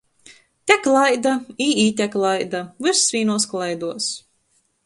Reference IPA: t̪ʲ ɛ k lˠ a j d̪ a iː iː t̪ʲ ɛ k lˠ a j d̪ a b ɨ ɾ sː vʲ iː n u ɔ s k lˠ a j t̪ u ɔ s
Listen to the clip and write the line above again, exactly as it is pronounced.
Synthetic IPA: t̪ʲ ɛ k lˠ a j d̪ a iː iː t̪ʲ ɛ k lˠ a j d̪ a v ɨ ɾ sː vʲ iː n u ɔ s k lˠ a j d̪ u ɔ s